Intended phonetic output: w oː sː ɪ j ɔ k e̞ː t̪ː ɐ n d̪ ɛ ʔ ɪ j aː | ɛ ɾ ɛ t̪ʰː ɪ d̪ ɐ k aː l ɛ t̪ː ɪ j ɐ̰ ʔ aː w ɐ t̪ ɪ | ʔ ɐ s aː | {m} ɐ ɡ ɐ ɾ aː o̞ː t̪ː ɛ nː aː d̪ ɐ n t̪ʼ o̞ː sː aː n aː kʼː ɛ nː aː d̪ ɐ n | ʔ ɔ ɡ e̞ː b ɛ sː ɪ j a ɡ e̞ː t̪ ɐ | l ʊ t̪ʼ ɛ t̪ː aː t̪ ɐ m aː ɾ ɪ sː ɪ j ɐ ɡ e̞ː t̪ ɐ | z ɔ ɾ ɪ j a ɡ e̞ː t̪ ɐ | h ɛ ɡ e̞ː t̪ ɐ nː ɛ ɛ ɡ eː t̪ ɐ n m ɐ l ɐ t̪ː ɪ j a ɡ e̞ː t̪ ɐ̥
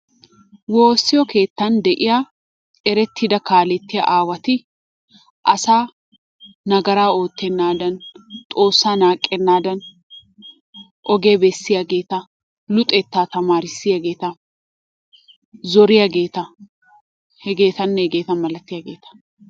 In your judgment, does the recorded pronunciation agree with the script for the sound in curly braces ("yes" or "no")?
no